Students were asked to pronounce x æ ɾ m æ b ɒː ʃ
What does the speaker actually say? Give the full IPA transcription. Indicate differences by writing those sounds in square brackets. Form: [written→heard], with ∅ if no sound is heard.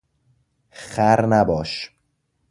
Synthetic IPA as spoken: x æ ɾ [m→n] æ b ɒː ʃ